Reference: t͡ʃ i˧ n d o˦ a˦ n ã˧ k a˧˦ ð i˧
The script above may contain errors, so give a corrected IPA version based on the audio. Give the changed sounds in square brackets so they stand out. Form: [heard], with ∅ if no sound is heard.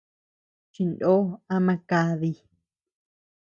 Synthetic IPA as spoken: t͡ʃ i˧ n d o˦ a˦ [m] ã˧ k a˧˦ ð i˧

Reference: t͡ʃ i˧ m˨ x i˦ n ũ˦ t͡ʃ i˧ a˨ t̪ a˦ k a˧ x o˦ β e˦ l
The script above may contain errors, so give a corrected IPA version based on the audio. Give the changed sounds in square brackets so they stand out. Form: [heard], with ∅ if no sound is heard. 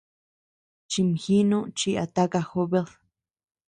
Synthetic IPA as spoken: t͡ʃ i˧ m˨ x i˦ n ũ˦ t͡ʃ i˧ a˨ t̪ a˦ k a˧ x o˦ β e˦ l

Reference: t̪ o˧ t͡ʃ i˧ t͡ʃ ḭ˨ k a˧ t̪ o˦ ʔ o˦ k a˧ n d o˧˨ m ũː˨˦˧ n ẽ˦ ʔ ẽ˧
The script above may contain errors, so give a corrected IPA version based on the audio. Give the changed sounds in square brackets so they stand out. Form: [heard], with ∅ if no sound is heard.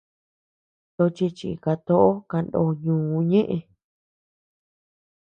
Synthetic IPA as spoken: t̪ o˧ t͡ʃ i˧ t͡ʃ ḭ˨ k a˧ t̪ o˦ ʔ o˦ k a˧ n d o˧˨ [ɲ] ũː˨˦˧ [ɲ] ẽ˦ ʔ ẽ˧

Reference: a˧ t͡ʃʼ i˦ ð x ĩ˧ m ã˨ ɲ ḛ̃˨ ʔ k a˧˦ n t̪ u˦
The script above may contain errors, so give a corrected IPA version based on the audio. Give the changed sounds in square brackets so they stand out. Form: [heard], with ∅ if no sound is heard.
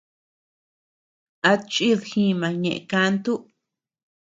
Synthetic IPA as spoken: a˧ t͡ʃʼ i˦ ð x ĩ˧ m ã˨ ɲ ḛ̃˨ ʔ k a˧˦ n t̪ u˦

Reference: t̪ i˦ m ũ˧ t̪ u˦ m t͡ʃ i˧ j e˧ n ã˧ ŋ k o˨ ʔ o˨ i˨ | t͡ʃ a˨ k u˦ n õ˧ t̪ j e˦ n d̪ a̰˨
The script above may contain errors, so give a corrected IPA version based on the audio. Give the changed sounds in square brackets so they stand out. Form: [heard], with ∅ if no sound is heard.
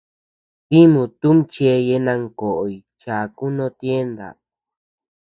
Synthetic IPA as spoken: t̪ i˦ m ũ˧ t̪ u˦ m t͡ʃ [e˧] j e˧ n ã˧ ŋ k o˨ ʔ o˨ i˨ | t͡ʃ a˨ k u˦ n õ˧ t̪ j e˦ n d̪ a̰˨

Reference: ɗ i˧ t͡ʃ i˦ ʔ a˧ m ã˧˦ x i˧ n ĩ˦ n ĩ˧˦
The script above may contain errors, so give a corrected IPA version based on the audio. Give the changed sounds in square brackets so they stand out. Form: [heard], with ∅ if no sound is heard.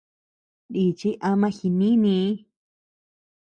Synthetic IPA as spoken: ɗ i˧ t͡ʃ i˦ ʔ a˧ m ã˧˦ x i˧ n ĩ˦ n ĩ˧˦

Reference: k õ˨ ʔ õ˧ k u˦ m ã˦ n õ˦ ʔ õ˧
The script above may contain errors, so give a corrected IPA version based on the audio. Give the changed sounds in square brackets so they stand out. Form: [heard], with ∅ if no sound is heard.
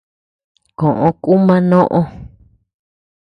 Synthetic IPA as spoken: k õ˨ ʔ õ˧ k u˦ m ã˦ n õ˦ ʔ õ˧

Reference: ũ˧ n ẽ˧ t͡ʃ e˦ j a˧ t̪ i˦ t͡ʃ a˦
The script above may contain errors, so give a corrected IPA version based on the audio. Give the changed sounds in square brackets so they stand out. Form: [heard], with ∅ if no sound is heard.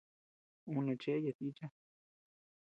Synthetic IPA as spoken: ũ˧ n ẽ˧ t͡ʃ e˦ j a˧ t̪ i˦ t͡ʃ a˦

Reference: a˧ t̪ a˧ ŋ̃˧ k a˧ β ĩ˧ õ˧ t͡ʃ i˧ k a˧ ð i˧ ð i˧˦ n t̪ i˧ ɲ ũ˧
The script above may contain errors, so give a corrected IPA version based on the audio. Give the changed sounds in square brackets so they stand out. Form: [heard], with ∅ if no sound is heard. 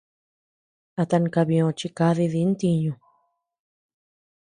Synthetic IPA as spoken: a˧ t̪ a˧ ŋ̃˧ k a˧ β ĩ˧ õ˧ t͡ʃ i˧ k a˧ ð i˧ ð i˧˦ n t̪ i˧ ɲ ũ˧

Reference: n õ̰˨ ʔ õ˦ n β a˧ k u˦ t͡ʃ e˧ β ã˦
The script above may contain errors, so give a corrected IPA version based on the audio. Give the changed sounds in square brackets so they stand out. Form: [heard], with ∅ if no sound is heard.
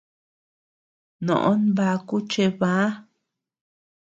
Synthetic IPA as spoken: n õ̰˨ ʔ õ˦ n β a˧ k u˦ t͡ʃ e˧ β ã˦

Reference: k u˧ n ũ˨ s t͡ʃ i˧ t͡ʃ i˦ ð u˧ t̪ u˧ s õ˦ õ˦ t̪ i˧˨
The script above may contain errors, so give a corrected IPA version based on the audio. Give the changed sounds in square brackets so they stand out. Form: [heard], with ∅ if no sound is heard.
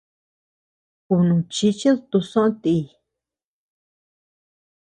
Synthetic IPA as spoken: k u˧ n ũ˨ [∅] t͡ʃ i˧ t͡ʃ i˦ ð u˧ t̪ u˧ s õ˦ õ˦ t̪ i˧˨

